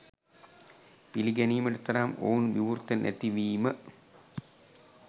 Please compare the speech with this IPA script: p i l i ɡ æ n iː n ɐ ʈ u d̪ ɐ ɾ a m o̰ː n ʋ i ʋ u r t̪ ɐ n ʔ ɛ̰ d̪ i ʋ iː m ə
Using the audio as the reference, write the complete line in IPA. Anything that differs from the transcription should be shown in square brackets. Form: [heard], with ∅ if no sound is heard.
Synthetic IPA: p i l i ɡ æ n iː [m] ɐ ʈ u [t̪] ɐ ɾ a m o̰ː n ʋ i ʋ u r t̪ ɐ n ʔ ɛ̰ [t̪] i ʋ iː m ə